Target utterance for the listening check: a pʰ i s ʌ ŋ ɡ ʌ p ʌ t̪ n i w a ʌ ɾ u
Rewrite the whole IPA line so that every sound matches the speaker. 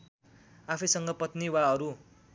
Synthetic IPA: a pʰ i s ʌ ŋ ɡ ʌ p ʌ t̪ n i w a ʌ ɾ u